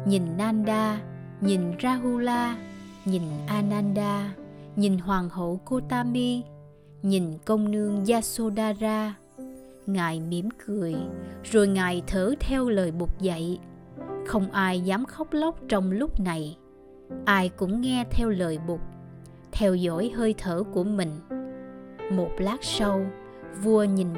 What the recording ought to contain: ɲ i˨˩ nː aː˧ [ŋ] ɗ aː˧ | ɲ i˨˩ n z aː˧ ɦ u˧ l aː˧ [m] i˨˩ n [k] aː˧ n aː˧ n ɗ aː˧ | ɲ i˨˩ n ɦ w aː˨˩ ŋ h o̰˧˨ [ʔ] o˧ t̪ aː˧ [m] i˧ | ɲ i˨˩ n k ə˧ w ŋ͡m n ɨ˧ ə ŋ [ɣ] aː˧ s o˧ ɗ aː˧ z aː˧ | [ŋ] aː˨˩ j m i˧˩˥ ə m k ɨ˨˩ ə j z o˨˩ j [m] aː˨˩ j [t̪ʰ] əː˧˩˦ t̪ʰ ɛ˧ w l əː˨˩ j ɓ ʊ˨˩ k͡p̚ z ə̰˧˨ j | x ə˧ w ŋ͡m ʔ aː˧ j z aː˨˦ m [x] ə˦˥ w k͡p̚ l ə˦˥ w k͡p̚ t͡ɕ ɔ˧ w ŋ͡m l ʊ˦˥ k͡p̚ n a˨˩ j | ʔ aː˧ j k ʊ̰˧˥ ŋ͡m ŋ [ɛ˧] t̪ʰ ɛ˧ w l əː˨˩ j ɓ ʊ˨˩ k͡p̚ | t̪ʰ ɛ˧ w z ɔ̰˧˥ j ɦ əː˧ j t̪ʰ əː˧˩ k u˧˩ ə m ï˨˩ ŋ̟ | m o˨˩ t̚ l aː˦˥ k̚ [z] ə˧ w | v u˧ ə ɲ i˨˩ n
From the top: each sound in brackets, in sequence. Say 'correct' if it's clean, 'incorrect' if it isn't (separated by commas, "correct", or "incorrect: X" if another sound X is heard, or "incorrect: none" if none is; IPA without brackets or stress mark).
incorrect: n, incorrect: ɲ, incorrect: ʔ, incorrect: k, correct, incorrect: z, correct, incorrect: ŋ, correct, correct, correct, incorrect: s